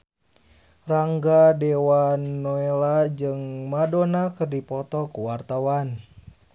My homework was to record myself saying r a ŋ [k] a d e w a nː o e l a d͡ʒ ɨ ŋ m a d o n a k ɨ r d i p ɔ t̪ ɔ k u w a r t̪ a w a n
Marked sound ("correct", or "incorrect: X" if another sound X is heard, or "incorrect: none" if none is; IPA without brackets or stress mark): incorrect: ɡ